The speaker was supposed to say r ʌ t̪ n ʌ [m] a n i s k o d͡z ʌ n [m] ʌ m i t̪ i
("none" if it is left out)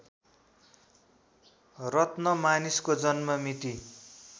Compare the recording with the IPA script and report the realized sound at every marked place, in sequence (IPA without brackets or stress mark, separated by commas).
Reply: m, m